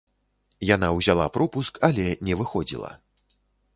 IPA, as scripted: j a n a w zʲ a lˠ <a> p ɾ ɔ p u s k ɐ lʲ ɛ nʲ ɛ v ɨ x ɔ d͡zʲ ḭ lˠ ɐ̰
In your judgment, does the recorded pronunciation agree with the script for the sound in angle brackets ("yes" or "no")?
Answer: yes